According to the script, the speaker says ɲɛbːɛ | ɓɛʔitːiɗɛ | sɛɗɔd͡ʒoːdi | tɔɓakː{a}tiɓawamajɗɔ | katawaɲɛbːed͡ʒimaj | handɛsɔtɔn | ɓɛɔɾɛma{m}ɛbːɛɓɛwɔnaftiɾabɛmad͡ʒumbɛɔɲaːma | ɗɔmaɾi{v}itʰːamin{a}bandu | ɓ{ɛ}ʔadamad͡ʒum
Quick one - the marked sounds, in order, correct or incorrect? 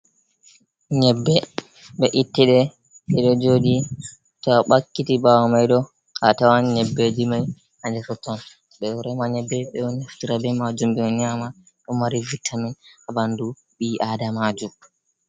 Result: incorrect, incorrect, correct, correct, incorrect

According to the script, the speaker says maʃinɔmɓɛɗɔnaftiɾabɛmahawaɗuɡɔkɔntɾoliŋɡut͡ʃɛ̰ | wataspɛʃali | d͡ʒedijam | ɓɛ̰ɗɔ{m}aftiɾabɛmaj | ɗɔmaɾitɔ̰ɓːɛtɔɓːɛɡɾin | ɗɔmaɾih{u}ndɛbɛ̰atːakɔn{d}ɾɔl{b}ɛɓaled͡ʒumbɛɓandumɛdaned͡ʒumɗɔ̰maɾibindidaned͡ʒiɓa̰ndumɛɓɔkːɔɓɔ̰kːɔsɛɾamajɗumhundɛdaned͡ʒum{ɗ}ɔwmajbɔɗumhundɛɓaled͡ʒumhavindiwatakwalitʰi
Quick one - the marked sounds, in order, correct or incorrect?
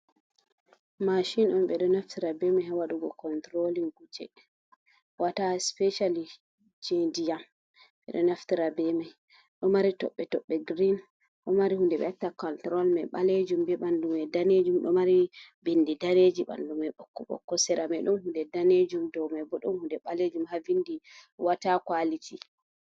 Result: incorrect, correct, incorrect, incorrect, incorrect

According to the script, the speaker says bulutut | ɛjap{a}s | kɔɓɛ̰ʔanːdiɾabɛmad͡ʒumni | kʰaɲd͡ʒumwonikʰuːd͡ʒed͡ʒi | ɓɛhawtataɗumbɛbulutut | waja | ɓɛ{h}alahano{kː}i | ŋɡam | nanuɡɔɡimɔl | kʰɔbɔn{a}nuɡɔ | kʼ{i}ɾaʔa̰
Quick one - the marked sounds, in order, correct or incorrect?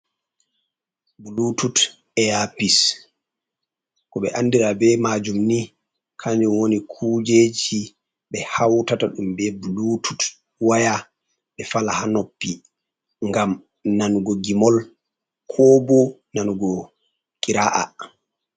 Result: incorrect, incorrect, incorrect, correct, correct

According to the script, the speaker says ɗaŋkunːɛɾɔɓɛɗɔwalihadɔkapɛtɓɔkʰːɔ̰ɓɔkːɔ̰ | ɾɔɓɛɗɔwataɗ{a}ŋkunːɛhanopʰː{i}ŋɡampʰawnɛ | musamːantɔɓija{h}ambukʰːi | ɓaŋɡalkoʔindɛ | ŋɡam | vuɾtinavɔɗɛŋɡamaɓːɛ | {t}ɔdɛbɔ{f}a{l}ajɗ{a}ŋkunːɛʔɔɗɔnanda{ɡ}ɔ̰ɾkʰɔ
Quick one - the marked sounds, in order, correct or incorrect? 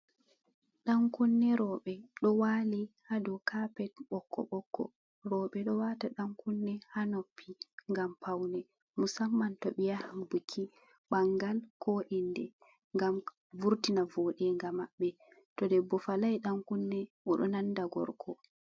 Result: correct, correct, correct, correct, correct, correct, correct, correct

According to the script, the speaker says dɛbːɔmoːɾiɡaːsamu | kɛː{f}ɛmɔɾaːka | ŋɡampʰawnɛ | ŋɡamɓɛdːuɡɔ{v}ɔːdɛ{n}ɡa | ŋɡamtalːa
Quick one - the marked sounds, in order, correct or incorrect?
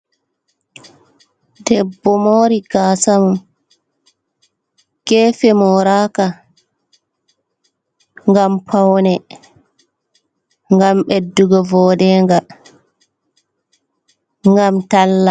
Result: correct, correct, incorrect

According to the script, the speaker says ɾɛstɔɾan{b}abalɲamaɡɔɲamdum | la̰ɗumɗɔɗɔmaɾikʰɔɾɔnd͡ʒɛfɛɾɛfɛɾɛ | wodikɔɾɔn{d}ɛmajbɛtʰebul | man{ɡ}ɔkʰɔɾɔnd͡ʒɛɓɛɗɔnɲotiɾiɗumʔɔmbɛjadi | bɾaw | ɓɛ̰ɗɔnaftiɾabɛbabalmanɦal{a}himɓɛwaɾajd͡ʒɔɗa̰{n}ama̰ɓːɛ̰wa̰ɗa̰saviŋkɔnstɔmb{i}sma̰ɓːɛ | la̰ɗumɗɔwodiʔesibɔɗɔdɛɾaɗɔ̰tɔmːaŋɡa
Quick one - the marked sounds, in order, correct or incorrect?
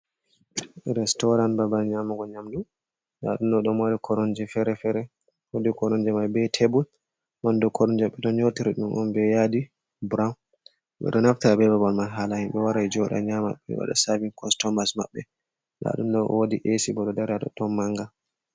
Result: correct, incorrect, incorrect, correct, incorrect, incorrect

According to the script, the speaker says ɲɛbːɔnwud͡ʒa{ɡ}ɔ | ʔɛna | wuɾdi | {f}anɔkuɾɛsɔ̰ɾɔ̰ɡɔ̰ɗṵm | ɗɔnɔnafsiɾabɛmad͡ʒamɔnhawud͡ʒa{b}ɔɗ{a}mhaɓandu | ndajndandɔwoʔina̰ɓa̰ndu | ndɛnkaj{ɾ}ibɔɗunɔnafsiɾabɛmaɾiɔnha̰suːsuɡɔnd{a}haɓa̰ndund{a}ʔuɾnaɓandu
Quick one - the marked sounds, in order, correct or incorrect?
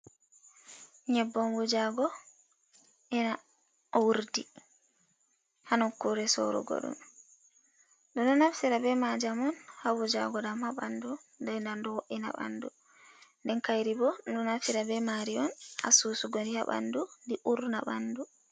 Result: correct, incorrect, incorrect, correct, correct, incorrect, incorrect

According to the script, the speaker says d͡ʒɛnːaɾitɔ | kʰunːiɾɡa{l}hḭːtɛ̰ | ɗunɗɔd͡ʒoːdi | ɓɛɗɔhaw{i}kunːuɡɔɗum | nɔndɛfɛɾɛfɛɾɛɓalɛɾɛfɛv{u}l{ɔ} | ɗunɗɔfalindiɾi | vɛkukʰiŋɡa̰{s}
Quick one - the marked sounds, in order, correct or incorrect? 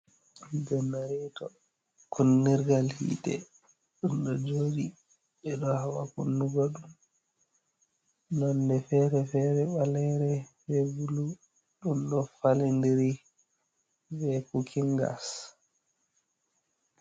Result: correct, incorrect, correct, incorrect, correct

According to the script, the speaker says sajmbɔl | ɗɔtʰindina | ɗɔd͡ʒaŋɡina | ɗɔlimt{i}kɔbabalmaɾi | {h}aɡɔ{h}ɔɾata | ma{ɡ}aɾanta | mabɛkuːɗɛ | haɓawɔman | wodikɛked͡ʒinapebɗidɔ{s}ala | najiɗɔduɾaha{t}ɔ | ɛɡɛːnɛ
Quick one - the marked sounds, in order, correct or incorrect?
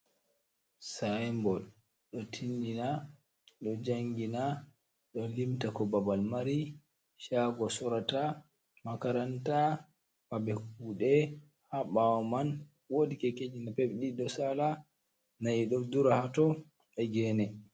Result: incorrect, incorrect, incorrect, incorrect, correct, correct

